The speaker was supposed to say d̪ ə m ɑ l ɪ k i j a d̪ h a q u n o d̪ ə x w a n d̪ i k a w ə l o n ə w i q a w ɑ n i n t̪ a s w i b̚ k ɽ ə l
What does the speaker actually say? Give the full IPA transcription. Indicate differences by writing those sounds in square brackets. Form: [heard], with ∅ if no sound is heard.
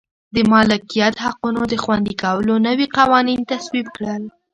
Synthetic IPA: d̪ ə m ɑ l ɪ k i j a [t̪] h a q u n o d̪ ə x w a n d̪ i k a w ə l o n ə w i q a w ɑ n i n t̪ a s w i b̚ k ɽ ə l